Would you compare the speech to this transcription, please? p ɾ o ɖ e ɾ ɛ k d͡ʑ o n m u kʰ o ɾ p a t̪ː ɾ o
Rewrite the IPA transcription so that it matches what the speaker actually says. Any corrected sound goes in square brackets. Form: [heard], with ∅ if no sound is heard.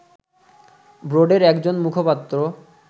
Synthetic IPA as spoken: [b] ɾ o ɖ e ɾ ɛ k d͡ʑ o n m u kʰ o [∅] p a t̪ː ɾ o